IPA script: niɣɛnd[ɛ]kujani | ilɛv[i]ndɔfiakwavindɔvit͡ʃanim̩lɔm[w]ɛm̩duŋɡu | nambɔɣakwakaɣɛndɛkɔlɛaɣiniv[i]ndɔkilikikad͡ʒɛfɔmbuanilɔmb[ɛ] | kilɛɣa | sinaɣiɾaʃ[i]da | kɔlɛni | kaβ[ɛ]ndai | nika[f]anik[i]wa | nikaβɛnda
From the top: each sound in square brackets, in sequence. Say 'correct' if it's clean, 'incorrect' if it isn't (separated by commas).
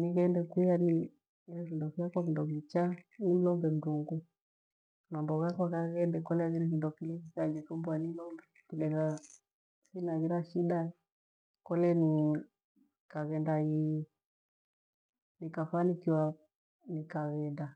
correct, correct, incorrect, correct, correct, correct, correct, correct, correct